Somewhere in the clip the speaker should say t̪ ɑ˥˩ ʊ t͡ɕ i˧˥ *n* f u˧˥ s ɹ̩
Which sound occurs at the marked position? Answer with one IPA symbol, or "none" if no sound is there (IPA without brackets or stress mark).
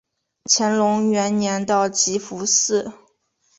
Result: none